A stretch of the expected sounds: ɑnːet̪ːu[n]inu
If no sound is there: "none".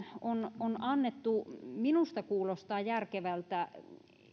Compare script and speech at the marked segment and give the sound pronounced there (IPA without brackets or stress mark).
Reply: m